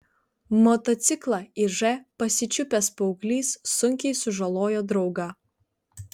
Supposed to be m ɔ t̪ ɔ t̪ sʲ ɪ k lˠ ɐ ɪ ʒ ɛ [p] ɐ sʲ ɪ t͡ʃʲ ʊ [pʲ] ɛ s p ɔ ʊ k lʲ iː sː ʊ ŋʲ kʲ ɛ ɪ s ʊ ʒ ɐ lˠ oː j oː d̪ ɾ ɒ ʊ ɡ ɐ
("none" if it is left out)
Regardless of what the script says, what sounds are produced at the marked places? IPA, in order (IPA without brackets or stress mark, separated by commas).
p, pʲ